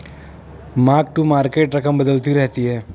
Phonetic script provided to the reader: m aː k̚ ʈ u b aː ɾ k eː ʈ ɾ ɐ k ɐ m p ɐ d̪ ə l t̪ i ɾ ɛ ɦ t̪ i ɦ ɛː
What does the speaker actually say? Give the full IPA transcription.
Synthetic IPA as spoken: m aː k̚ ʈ u m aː ɾ k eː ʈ ɾ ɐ k ə m b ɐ d̪ ə l t̪ i ɾ ɛ ɦ t̪ i ɦ ɛː